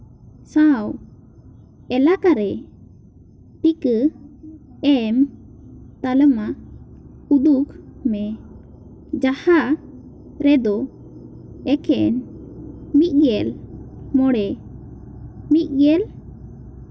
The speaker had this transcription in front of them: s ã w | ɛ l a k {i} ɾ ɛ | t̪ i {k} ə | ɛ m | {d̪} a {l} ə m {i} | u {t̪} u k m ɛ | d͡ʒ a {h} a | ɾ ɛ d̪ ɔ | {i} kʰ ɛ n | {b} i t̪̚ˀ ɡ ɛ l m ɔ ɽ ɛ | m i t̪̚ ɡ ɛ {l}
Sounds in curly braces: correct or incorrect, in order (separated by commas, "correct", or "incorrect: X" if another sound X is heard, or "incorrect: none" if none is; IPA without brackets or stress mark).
incorrect: a, correct, incorrect: t̪, correct, incorrect: a, incorrect: d̪, correct, incorrect: ɛ, incorrect: m, correct